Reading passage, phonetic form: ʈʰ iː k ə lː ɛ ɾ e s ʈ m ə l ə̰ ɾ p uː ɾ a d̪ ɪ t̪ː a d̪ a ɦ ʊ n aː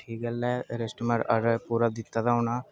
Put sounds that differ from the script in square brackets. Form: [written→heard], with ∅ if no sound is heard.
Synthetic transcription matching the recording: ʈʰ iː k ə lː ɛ ɾ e s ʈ m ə [l→ɾ] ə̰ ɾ p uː ɾ a d̪ ɪ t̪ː a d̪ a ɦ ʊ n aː